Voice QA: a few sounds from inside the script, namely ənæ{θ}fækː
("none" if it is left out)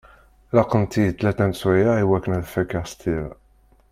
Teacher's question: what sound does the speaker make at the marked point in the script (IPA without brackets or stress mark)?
ð